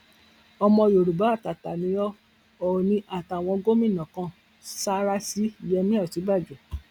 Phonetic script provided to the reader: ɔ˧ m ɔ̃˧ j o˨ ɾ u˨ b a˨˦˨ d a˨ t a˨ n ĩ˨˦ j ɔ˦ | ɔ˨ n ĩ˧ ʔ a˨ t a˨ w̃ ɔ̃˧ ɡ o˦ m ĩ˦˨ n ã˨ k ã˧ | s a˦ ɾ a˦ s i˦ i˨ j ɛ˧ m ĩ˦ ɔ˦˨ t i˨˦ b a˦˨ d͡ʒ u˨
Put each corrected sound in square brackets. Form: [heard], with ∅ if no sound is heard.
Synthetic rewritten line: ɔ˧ m ɔ̃˧ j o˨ ɾ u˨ b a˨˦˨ [t] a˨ t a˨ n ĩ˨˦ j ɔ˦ | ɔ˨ n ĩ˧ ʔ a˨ t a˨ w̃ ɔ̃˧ ɡ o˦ m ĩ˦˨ n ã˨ k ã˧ | s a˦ ɾ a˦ s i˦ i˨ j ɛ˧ m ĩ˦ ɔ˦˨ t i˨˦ b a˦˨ d͡ʒ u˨